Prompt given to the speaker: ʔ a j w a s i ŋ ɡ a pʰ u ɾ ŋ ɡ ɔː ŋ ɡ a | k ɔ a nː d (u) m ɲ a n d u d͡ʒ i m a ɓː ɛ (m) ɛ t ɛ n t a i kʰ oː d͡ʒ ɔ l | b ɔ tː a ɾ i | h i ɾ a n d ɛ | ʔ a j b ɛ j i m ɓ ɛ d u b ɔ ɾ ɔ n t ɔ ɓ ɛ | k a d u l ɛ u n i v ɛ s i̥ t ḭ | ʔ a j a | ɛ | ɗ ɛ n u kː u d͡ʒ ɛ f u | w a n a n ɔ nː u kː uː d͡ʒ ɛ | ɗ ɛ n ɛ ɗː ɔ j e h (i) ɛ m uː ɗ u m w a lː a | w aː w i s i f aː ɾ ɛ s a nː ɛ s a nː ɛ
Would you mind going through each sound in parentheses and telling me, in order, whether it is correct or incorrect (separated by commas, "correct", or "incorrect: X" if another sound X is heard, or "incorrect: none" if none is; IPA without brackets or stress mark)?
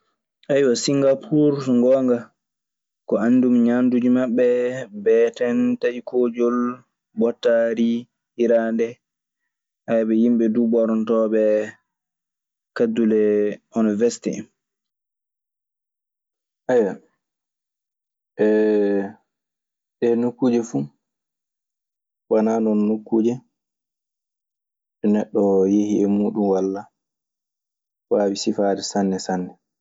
correct, incorrect: b, correct